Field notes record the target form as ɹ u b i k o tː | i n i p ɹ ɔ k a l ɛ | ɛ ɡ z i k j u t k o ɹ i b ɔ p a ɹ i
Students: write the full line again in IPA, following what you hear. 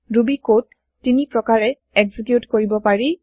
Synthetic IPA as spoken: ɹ u b i k o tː | i n i p ɹ ɔ k a ɹ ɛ | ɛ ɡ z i k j u t k o ɹ i b ɔ p a ɹ i